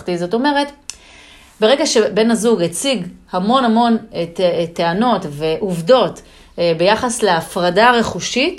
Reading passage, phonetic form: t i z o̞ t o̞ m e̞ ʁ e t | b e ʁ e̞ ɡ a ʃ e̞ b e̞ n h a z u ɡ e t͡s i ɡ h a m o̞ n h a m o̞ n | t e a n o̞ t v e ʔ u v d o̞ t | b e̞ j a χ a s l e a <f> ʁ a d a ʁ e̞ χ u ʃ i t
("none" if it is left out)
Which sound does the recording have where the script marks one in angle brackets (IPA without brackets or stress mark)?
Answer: f